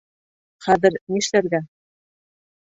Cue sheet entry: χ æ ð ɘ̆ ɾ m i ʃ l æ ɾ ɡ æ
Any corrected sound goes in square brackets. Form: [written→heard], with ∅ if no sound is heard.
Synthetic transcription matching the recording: χ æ ð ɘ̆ ɾ [m→n] i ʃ l æ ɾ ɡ æ